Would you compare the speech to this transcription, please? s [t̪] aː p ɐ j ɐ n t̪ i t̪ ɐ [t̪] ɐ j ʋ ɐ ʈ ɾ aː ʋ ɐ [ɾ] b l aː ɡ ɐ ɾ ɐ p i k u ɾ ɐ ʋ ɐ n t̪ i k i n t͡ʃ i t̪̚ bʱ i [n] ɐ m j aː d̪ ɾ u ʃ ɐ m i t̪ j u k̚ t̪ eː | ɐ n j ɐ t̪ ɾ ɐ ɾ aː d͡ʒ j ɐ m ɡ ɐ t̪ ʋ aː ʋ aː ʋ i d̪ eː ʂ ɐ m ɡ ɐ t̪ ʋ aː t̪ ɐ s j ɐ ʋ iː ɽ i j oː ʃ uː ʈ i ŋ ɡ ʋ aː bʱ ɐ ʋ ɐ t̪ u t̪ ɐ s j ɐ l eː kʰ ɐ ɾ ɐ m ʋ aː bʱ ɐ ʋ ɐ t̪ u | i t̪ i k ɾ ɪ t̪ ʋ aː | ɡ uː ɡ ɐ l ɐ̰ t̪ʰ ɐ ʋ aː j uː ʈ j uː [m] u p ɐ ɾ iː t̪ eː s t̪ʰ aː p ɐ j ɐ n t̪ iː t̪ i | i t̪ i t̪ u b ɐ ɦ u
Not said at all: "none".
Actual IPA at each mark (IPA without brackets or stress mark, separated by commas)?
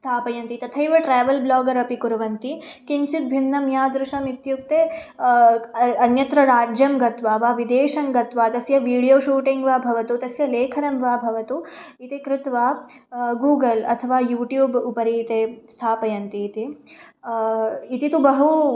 t̪ʰ, t̪ʰ, l, nː, b